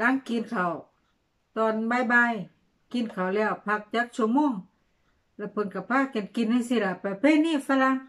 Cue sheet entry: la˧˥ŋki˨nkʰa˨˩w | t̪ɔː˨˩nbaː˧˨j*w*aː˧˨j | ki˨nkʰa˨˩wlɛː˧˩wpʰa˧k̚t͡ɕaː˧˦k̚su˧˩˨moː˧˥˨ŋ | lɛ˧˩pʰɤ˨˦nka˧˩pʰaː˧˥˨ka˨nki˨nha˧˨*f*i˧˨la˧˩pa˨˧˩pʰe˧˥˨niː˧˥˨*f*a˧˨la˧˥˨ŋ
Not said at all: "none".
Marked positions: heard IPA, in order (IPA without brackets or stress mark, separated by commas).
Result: b, s, f